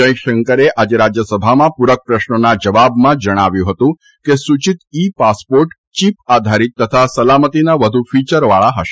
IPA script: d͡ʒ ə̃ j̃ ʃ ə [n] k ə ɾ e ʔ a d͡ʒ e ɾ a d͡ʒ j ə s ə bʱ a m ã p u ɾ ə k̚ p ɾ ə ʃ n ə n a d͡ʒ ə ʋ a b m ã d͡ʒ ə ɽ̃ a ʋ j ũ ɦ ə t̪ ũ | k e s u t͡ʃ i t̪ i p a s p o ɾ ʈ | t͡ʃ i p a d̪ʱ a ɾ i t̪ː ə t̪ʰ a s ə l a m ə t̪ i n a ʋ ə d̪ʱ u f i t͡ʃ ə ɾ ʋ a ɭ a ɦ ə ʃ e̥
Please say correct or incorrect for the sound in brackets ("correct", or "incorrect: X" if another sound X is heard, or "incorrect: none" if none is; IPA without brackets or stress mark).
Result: incorrect: ŋ